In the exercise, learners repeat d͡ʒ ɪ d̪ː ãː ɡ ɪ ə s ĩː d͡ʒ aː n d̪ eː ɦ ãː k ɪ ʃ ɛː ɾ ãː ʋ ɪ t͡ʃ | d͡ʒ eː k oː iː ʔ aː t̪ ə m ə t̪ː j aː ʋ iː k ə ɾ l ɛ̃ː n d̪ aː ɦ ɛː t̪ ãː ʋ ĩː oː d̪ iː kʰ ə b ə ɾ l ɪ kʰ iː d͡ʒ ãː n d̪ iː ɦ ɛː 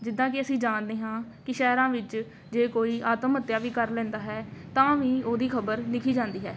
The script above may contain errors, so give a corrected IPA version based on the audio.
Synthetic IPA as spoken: d͡ʒ ɪ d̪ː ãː k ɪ ə s ĩː d͡ʒ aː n d̪ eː ɦ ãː k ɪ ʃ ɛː ɾ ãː ʋ ɪ t͡ʃ | d͡ʒ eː k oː iː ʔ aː t̪ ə m ə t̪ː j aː ʋ iː k ə ɾ l ɛ̃ː n d̪ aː ɦ ɛː t̪ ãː ʋ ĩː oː d̪ iː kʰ ə b ə ɾ l ɪ kʰ iː d͡ʒ ãː n d̪ iː ɦ ɛː